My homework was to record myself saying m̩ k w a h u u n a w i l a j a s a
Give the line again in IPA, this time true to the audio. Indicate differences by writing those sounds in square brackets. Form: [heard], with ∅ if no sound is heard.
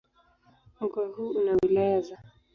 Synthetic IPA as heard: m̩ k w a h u u n a w i l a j a [z] a

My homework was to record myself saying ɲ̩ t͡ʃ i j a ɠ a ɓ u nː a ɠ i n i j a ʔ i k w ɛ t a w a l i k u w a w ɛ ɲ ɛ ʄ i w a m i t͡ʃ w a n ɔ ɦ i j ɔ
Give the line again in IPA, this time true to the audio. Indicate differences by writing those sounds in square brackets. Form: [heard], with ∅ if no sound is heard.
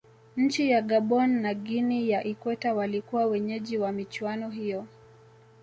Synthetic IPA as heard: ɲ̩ t͡ʃ i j a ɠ a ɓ [ɔ] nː a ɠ i n i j a ʔ i k w ɛ t a w a l i k u w a w ɛ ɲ ɛ ʄ i w a m i t͡ʃ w a n ɔ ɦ i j ɔ

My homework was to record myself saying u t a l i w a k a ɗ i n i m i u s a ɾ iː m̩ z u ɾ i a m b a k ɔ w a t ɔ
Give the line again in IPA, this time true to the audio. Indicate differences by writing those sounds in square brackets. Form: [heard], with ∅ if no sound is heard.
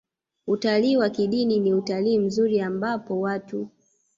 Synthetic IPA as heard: u t a l [iː] w a k [i] ɗ i n i [n] i u [t] a [l] iː m̩ z u ɾ i a m b a [p] ɔ w a t [u]

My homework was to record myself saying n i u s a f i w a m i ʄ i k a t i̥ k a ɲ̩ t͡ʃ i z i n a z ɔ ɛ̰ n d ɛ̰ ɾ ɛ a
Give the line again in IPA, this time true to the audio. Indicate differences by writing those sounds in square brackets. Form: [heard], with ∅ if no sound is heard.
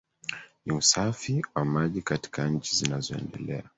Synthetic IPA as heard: n i u s a f i w a m [a] ʄ i k a t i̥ k a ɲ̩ t͡ʃ i z i n a z ɔ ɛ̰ n d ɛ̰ [l] ɛ a

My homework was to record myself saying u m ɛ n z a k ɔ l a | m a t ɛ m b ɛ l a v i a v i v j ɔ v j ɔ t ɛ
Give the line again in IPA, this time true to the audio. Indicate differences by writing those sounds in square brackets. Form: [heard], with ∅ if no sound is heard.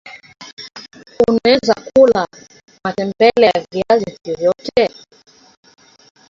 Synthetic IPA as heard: u [n] ɛ [∅] z a k [u] l a | m a t ɛ m b ɛ l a v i a [z] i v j ɔ v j ɔ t ɛ

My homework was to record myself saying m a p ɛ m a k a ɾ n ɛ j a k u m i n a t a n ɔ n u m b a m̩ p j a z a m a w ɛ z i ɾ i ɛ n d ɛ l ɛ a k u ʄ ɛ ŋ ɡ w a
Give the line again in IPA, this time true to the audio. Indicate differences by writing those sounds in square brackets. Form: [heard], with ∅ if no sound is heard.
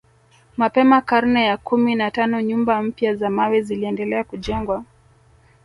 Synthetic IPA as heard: m a p ɛ m a k a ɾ n ɛ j a k u m i n a t a n ɔ [ɲ] u m b a m̩ p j a z a m a w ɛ z i [l] i ɛ n d ɛ l ɛ a k u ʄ ɛ ŋ ɡ w a

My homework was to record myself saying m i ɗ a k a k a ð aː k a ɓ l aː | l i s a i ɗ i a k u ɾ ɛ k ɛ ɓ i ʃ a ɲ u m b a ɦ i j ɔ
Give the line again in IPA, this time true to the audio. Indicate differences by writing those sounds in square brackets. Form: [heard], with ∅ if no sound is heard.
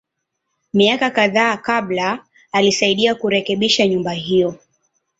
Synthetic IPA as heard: m i [∅] a k a k a ð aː k a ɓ l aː | l i s a i ɗ i a k u ɾ ɛ k ɛ ɓ i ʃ a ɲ u m b a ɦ i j ɔ

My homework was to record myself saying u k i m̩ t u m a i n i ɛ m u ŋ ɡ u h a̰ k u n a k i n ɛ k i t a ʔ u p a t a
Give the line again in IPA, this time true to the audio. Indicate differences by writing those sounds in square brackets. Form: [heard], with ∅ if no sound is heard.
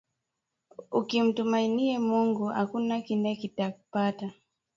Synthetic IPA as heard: u k i m̩ t u m a i n i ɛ m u ŋ ɡ u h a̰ k u n a k i n ɛ k i t a [k] u p a t a

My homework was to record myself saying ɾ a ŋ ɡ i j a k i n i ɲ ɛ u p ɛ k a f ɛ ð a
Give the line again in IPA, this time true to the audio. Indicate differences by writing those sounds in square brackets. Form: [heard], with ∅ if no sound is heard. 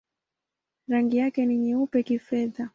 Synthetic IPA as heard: ɾ a ŋ ɡ i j a k [ɛ] n i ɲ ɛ u p ɛ k [i] f ɛ ð a

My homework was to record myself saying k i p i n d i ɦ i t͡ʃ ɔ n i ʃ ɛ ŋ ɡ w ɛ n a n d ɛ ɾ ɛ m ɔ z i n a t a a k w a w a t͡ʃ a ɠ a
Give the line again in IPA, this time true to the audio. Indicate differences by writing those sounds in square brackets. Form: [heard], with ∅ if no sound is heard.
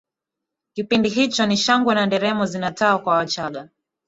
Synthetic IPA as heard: k i p i n d i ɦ i t͡ʃ ɔ n i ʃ [a] ŋ ɡ w ɛ n a n d ɛ ɾ ɛ m ɔ z i n a t a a k w a w a t͡ʃ a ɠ a

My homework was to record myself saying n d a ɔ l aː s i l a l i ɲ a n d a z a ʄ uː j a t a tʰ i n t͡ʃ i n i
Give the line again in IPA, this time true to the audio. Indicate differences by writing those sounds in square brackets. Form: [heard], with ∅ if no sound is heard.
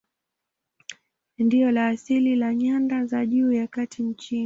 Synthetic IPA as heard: n d [i] ɔ l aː s i l [i] l [a] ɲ a n d a z a ʄ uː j a [k] a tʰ i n t͡ʃ i n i

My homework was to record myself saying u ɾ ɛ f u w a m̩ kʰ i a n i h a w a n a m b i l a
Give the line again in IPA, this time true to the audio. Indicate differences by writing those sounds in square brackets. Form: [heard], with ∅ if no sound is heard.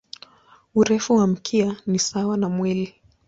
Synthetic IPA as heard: u ɾ ɛ f u w a m̩ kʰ i a n i [s] a w a n a m [w] i l [i]

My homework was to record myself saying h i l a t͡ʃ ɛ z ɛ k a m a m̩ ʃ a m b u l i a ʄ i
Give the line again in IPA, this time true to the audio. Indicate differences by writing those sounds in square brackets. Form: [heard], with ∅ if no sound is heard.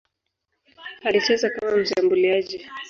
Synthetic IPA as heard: h [a] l [i] t͡ʃ ɛ z [a] k a m a m̩ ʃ a m b u l i a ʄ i

